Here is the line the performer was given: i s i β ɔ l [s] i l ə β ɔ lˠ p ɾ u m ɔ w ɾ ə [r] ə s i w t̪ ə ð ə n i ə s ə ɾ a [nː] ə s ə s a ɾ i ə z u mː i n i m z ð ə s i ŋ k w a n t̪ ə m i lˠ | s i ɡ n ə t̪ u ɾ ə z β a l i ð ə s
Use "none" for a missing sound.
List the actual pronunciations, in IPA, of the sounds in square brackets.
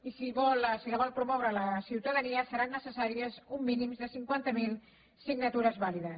s, l, nː

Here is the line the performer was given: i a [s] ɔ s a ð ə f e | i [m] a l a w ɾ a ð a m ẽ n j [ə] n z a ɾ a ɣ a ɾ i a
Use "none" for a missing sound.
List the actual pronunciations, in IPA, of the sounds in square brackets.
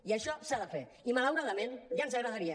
ʃ, m, a

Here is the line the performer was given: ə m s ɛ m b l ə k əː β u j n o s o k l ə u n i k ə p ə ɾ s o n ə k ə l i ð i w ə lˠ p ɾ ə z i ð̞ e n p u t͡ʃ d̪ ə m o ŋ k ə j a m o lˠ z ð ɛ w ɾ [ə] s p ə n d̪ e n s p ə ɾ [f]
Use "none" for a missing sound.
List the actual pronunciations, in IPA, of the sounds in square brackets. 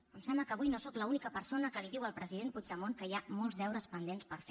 ə, f

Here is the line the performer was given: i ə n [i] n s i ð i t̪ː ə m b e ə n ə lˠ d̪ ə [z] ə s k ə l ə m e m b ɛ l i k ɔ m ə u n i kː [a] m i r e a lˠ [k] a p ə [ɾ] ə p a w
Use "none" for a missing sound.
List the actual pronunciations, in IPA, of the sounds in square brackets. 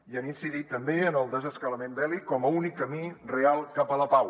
i, z, ə, k, l

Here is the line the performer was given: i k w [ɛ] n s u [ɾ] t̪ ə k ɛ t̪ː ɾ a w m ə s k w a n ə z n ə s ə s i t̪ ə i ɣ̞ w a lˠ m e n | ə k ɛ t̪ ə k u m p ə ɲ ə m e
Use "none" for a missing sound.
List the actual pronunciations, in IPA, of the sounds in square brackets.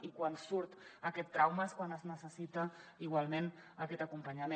a, ɾ

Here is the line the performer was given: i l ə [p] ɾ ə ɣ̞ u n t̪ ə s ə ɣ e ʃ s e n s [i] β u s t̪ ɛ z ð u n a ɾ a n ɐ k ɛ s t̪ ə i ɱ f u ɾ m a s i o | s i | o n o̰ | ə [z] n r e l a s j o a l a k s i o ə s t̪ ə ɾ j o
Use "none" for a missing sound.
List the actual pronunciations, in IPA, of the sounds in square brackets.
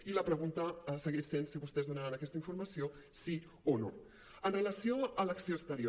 p, i, none

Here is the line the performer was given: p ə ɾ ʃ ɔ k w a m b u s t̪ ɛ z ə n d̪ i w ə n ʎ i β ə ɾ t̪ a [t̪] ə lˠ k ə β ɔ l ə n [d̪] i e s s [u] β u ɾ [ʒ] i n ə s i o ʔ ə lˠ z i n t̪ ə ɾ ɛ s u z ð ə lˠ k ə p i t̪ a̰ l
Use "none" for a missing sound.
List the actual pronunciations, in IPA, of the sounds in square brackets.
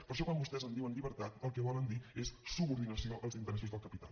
t̪, d̪, u, ð

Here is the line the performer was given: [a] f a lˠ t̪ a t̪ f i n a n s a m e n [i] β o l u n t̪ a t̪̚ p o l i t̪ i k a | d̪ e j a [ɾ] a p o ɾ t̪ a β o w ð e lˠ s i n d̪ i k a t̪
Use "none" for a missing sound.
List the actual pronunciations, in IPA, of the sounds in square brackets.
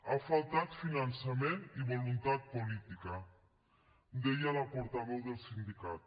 a, i, l

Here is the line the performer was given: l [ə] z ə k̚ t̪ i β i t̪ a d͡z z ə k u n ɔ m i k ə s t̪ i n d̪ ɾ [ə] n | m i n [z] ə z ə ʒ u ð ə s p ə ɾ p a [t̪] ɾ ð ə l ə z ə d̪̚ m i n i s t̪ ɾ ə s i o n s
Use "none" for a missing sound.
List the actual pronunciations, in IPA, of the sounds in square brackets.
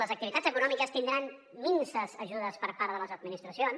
ə, a, s, none

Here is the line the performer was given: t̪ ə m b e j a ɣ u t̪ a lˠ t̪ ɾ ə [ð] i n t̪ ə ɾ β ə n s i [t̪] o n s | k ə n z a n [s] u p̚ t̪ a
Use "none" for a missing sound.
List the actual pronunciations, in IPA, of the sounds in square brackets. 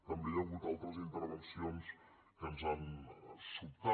z, none, s

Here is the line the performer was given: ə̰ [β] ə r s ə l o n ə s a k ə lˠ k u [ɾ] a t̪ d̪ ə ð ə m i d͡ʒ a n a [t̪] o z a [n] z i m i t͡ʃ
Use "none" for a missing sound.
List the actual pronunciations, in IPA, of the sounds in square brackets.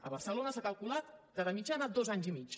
β, l, d̪, ɲ

